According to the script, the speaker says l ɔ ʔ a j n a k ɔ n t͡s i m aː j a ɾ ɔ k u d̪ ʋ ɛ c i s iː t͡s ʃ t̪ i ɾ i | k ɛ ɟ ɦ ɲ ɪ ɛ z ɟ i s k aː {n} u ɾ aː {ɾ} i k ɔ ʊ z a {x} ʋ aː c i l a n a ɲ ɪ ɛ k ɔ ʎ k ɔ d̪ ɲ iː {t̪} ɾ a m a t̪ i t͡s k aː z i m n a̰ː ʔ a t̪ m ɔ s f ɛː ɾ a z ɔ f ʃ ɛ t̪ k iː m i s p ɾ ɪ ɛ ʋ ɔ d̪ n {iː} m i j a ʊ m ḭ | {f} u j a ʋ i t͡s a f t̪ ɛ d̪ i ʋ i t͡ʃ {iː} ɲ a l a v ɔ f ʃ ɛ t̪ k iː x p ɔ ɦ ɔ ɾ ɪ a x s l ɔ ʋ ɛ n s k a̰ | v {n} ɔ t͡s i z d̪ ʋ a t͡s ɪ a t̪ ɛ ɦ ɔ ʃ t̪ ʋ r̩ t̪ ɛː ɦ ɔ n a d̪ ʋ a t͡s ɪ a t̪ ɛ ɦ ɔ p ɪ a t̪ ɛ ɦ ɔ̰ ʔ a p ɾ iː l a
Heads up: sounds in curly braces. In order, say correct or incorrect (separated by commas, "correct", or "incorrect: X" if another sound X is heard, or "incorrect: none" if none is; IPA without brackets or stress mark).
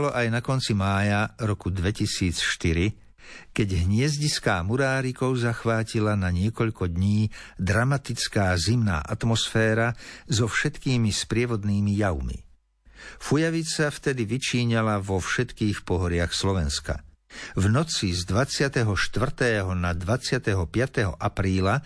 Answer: incorrect: m, correct, correct, incorrect: d̪, correct, correct, correct, correct